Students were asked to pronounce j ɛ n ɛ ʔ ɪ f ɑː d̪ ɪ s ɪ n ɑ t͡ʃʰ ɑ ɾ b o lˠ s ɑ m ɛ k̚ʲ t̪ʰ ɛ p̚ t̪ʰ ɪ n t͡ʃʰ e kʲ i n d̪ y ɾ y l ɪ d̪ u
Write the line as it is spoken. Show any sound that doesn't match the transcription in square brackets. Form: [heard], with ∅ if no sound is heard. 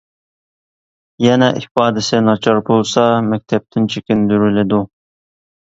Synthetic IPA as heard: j ɛ n ɛ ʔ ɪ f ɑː d̪ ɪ s ɪ n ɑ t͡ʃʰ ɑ ɾ b o lˠ s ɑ m ɛ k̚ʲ t̪ʰ ɛ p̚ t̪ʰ ɪ n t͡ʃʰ e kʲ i n d̪ y ɾ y l ɪ d̪ u